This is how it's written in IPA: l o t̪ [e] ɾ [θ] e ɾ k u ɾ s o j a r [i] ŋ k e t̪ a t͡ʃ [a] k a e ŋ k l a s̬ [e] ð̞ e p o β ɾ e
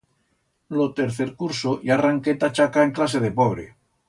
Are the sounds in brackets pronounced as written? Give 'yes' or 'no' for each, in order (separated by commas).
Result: yes, yes, no, yes, yes